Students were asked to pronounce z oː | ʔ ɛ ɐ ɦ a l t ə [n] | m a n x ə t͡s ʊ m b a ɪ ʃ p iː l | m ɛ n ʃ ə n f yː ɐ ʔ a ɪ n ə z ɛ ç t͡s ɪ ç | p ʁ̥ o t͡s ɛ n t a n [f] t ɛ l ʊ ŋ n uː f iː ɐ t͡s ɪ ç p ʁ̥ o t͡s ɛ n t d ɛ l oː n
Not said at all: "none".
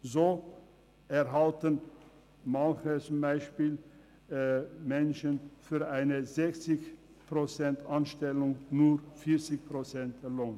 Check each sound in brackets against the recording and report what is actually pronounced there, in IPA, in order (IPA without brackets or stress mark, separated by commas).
n, ʃ